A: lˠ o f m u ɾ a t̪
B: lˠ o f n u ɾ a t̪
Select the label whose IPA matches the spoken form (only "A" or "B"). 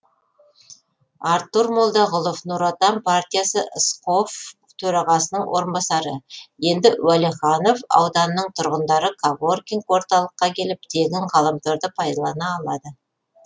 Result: B